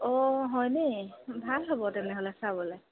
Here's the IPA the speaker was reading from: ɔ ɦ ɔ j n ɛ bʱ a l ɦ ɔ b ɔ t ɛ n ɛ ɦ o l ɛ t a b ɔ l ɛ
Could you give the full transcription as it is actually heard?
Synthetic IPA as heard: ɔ ɦ ɔ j n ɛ bʱ a l ɦ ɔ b ɔ t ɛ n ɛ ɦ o l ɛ s a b ɔ l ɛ